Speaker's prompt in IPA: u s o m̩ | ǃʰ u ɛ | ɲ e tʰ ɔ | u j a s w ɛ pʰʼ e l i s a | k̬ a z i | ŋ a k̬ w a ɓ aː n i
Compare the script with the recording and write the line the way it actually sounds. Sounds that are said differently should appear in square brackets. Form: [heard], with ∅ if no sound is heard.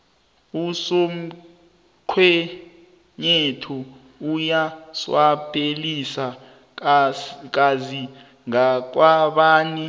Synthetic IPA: u s o m̩ | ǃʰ [w] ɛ | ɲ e tʰ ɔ | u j a s w [a] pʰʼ e l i s a | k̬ a z i | ŋ a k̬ w a ɓ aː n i